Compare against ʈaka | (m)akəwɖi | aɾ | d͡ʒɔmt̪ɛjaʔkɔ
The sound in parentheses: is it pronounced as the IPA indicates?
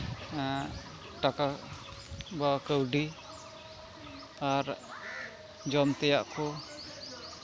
no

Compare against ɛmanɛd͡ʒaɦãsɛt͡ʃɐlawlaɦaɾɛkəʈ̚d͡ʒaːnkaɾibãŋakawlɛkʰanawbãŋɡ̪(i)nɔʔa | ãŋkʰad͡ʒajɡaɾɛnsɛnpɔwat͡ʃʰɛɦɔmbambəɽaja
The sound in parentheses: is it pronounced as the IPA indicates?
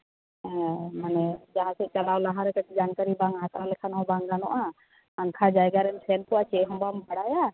no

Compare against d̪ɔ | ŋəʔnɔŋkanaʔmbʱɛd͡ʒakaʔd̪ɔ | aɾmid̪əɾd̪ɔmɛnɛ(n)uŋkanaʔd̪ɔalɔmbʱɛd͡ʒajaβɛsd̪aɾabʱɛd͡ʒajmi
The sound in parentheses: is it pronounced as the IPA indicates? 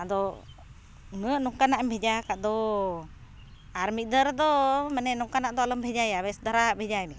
yes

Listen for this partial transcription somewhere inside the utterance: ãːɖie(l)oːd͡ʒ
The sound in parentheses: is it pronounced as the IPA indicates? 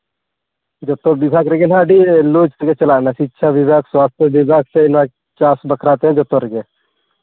yes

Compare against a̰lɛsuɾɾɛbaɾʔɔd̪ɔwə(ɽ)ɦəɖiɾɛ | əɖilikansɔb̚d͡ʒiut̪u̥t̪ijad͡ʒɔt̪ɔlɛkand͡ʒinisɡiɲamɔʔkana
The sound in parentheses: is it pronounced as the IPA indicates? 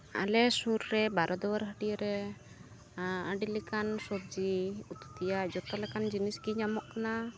no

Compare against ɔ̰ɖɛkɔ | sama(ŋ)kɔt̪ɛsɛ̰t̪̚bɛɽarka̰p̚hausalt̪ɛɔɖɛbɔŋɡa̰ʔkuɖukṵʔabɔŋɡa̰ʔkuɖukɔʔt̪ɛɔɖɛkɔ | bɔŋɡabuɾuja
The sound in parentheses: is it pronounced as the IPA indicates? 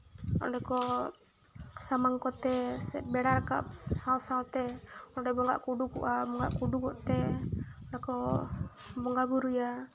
yes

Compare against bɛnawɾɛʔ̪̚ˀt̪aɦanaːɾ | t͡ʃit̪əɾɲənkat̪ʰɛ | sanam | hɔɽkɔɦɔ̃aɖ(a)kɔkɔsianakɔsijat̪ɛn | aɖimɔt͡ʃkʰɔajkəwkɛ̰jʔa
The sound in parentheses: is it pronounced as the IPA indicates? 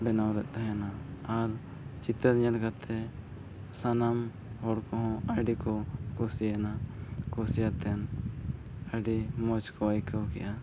no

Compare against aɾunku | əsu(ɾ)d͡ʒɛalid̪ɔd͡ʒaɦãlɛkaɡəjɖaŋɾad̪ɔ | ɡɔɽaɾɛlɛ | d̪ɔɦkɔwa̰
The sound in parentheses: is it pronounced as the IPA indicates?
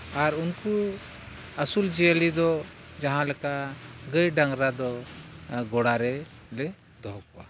no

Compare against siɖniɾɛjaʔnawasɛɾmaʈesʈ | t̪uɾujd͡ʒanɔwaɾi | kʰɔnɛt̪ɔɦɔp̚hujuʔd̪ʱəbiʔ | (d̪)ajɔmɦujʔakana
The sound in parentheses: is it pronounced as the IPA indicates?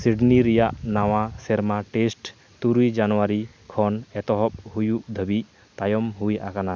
no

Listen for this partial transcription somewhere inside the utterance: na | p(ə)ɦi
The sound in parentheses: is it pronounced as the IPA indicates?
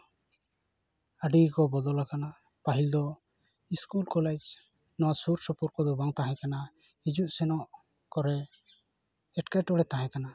no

